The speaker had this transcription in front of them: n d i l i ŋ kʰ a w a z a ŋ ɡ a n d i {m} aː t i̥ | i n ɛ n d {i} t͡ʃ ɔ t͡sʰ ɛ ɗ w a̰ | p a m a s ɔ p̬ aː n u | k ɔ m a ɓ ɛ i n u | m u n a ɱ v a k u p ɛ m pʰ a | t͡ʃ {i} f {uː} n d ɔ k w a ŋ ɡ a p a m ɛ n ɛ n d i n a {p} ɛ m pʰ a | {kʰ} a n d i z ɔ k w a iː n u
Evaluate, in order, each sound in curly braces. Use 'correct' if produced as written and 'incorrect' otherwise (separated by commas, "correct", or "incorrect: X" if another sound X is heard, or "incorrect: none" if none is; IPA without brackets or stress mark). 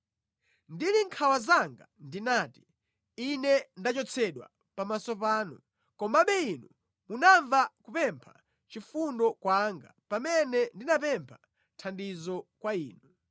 incorrect: n, incorrect: a, correct, incorrect: u, correct, incorrect: tʰ